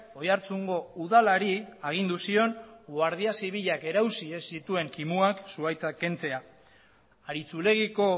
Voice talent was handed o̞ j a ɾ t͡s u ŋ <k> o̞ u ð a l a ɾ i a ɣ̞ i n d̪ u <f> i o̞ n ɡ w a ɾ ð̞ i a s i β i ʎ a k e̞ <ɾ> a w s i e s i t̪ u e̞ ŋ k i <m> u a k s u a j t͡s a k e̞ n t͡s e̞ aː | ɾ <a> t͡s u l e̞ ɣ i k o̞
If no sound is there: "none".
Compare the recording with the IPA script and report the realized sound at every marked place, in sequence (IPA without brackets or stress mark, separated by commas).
ɡ, s, ɾ, m, i